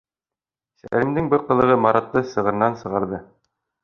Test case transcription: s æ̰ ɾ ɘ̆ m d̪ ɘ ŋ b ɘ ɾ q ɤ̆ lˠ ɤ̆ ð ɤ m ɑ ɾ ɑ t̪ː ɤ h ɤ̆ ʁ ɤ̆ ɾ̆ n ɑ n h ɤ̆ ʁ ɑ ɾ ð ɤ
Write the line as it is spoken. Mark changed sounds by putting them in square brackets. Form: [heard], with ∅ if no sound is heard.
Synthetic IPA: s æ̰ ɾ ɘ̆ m d̪ ɘ ŋ b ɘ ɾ q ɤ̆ lˠ ɤ̆ [ʁ] ɤ m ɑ ɾ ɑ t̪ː ɤ [s] ɤ̆ ʁ ɤ̆ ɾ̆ n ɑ n [s] ɤ̆ ʁ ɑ ɾ ð ɤ